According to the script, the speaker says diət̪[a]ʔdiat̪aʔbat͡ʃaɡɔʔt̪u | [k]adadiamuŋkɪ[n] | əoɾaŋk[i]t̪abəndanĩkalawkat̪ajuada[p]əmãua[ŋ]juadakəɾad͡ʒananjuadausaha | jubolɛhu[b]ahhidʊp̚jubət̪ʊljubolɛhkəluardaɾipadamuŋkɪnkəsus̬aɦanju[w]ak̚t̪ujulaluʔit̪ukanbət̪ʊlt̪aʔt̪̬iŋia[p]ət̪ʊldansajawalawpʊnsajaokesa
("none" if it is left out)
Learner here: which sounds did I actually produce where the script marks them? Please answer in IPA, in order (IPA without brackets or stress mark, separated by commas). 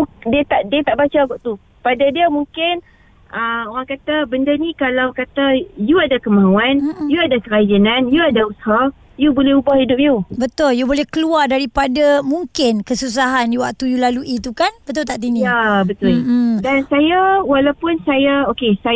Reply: a, p, n, a, k, n, b, w, b